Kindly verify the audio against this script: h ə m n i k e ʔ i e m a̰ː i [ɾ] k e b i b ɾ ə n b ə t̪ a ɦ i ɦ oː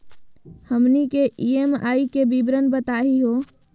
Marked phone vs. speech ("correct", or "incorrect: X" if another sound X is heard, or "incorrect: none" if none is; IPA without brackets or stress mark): incorrect: none